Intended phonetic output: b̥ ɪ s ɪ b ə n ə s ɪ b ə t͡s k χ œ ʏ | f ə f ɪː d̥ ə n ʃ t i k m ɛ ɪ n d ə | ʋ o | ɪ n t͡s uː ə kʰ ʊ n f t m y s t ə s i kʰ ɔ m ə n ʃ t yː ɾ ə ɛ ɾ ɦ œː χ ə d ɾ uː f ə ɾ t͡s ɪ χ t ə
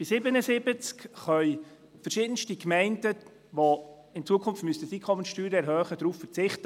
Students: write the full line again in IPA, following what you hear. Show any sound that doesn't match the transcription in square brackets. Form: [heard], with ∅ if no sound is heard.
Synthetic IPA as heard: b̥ ɪ s ɪ b ə n ə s ɪ b ə t͡s k χ œ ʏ | f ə [ʃ] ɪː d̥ ə n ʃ t i k m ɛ ɪ n d ə | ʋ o | ɪ n t͡s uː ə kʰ ʊ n f t m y s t ə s i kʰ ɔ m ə n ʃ t yː ɾ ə ɛ ɾ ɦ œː χ ə d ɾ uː f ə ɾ t͡s ɪ χ t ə